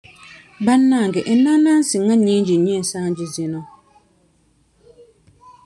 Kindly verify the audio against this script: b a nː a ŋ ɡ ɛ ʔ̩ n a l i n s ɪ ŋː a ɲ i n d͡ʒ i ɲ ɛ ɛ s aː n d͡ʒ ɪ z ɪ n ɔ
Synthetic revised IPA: b a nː a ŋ ɡ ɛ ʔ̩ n a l a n s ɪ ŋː a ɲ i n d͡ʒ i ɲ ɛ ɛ s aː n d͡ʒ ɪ z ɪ n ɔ